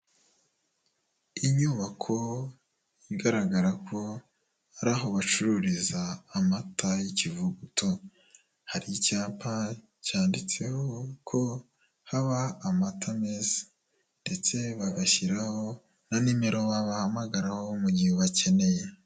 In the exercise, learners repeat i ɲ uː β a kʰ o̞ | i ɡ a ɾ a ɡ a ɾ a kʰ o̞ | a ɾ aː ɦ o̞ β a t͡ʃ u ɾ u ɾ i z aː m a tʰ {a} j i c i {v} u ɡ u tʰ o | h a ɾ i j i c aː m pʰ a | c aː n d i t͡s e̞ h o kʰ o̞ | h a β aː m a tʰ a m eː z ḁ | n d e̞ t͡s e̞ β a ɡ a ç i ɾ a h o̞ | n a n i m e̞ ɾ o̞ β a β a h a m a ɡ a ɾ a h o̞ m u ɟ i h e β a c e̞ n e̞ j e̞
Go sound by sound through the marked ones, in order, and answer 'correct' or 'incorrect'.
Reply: correct, correct

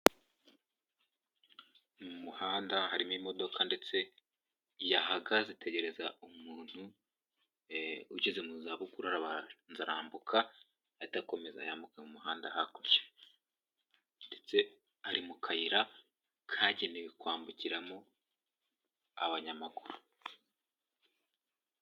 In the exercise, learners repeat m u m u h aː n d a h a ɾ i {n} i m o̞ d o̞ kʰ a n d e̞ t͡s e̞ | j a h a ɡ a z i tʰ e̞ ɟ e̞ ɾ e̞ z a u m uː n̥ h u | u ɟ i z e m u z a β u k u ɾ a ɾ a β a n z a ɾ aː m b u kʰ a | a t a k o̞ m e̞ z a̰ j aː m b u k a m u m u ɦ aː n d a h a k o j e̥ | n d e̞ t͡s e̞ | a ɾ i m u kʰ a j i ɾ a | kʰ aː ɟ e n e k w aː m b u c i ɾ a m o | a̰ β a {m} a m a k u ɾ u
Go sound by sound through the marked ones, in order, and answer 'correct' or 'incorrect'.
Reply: incorrect: m, incorrect: ɲ

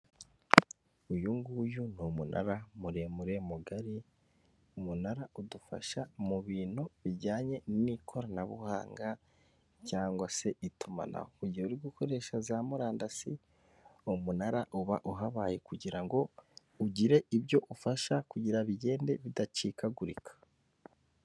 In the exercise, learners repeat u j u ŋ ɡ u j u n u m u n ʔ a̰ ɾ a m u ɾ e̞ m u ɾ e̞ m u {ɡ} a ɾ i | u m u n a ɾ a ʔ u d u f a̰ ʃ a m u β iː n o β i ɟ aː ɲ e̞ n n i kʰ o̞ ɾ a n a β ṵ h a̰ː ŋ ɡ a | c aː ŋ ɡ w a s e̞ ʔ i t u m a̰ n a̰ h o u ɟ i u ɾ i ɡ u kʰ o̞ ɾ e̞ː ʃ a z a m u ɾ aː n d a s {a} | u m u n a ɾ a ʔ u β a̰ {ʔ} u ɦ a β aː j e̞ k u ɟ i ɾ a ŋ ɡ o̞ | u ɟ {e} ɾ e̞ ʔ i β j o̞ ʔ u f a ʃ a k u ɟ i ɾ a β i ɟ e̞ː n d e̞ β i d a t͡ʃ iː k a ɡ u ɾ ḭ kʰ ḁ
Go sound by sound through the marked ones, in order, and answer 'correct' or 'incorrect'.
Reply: correct, incorrect: i, correct, incorrect: i

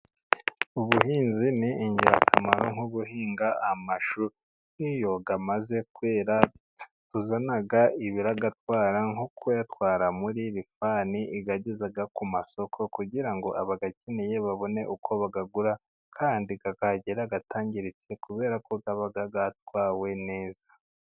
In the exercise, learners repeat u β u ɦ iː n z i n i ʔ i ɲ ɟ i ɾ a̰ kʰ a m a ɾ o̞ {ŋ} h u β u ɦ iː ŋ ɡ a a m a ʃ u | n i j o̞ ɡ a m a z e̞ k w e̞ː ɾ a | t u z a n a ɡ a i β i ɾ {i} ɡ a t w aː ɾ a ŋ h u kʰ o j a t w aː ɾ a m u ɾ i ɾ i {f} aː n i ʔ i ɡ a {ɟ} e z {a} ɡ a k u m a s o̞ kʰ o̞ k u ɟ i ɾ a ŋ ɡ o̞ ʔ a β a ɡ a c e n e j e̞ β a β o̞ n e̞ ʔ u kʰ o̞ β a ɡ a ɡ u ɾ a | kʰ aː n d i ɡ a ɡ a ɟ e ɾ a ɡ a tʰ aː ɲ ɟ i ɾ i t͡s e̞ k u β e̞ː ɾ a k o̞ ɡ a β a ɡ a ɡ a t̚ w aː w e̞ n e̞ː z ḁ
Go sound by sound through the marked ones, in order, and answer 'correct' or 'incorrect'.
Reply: correct, incorrect: a, correct, correct, correct

